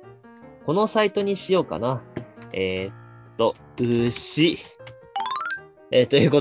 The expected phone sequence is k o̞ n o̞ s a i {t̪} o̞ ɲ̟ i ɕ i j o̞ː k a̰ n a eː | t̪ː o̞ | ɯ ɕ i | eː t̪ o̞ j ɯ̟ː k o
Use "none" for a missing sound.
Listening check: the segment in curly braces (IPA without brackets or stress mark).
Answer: t̪